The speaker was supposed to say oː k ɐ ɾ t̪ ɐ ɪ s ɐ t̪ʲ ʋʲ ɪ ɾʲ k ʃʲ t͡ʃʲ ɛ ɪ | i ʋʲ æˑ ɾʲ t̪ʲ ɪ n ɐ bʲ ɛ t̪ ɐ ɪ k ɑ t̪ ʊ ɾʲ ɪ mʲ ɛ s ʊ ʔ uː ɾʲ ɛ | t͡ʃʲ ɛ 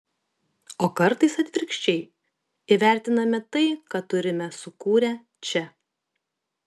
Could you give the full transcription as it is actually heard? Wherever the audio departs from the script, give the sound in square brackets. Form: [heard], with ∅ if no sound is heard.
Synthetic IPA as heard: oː k ɐ ɾ t̪ ɐ ɪ s ɐ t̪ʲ ʋʲ ɪ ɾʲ k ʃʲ t͡ʃʲ ɛ ɪ | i ʋʲ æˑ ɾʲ t̪ʲ ɪ n ɐ [mʲ] ɛ t̪ ɐ ɪ k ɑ t̪ ʊ ɾʲ ɪ mʲ ɛ s ʊ [k] uː ɾʲ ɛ | t͡ʃʲ ɛ